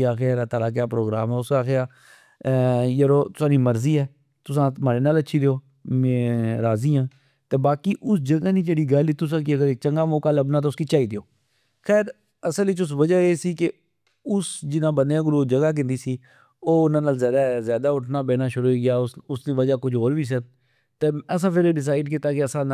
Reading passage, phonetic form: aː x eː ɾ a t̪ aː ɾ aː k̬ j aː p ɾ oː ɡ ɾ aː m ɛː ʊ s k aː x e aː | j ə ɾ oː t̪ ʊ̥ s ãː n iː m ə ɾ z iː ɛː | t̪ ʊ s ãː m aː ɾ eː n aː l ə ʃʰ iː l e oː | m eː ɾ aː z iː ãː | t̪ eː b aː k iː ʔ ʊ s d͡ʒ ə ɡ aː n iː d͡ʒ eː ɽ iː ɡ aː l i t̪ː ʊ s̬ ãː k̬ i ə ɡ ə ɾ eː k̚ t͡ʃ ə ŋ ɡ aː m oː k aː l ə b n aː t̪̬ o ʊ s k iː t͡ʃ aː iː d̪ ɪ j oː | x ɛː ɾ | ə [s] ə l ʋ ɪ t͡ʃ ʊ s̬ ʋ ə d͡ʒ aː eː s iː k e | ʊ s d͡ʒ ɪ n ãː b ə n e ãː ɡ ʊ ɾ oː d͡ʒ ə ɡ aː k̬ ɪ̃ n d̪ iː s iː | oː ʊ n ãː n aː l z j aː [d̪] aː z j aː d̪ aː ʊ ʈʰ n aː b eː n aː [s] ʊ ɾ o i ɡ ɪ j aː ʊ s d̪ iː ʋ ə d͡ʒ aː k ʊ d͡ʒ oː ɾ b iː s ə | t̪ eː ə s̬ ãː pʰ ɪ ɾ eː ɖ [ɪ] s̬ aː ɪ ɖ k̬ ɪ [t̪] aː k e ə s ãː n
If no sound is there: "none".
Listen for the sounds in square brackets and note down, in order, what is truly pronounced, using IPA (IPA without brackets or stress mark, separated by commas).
s, d̪, ʃ, ɪ, t̪